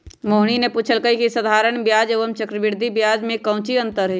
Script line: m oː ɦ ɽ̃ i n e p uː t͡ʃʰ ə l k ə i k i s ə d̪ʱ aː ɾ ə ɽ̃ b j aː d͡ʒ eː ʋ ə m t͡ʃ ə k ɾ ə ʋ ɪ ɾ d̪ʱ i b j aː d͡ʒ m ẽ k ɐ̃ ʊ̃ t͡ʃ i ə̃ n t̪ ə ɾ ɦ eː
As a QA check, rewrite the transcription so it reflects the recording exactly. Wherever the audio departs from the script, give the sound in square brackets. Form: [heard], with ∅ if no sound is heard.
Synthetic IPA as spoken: m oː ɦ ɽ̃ i n e p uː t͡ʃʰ ə l k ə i k i s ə d̪ʱ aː ɾ ə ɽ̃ b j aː d͡ʒ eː ʋ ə m t͡ʃ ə k ɾ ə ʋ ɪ ɾ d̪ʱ i b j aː d͡ʒ m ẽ k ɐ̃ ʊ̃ t͡ʃ i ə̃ n t̪ ə ɾ ɦ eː